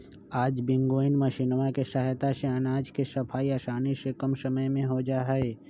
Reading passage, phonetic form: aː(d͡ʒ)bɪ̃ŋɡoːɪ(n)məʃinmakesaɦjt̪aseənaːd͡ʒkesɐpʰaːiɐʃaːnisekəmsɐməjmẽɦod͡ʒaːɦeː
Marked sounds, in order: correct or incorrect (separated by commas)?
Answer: correct, correct